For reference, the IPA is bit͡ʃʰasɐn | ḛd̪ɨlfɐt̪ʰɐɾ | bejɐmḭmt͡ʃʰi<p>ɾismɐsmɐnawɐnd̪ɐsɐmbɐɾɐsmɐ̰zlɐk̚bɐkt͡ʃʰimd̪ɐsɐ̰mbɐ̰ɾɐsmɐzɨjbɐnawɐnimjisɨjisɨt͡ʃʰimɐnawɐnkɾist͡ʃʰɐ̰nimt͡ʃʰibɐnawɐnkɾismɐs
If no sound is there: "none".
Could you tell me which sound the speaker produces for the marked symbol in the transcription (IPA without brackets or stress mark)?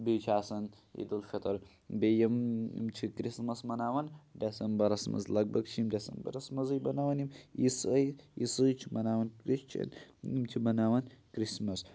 k